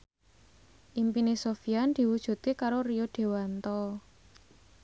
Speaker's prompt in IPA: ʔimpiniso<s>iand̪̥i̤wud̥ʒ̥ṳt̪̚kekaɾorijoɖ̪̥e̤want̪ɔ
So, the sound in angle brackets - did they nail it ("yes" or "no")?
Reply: no